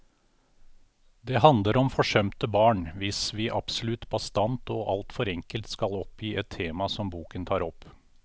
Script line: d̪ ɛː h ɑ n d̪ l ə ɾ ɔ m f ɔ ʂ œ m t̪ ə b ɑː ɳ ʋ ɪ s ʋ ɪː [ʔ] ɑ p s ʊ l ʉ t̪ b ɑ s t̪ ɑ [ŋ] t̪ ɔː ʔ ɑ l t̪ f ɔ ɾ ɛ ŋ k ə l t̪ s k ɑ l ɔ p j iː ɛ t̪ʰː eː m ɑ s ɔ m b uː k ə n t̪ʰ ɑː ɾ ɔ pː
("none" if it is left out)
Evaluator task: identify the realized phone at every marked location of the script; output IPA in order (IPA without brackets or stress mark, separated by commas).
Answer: ʔ, n